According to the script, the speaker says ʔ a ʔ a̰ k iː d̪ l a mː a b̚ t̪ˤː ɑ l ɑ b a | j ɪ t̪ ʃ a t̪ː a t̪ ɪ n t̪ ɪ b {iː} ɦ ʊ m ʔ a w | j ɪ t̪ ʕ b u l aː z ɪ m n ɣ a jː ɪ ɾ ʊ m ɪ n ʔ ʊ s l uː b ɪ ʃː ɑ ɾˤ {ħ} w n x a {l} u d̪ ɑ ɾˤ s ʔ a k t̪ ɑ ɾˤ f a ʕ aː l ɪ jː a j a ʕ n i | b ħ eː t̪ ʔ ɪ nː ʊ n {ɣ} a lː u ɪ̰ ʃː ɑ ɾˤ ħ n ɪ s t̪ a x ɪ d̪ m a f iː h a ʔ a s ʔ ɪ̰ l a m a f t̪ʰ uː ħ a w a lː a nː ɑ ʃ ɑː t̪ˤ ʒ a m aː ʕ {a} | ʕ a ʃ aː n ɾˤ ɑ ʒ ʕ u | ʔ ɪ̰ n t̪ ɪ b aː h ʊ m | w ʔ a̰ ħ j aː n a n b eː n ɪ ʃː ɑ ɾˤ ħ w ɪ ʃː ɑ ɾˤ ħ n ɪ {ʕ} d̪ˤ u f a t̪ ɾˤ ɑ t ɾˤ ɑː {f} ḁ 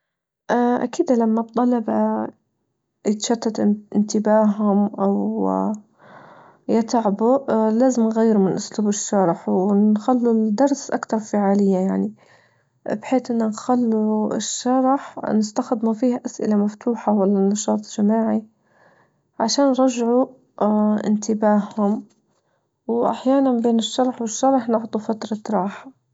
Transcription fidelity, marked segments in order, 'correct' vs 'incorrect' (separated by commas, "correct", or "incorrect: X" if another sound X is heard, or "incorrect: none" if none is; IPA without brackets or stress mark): incorrect: aː, correct, incorrect: lː, incorrect: x, incorrect: i, correct, incorrect: ħ